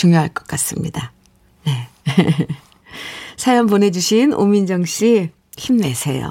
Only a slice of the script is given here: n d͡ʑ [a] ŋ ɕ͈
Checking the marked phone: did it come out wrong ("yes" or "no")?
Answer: yes